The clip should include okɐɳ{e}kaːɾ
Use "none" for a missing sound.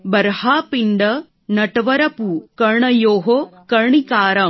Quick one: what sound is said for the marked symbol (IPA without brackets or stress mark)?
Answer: i